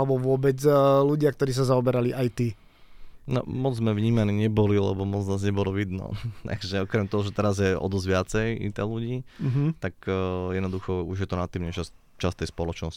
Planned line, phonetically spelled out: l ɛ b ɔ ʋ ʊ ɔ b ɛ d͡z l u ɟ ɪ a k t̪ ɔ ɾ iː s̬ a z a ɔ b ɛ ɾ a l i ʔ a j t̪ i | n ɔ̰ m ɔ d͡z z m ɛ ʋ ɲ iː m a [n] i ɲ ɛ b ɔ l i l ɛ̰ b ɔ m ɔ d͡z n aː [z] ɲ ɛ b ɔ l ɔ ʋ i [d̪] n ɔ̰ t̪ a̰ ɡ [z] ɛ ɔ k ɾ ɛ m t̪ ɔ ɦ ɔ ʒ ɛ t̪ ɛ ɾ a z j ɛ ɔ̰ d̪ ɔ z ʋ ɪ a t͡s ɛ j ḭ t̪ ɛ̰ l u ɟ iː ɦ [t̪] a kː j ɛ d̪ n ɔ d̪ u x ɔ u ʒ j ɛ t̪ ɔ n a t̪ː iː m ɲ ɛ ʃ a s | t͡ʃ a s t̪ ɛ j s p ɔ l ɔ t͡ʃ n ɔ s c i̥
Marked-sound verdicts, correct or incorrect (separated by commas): correct, correct, correct, incorrect, correct